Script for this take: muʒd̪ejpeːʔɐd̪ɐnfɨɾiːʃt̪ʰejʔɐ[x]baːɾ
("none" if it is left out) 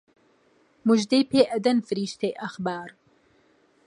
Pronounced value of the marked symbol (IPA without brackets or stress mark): x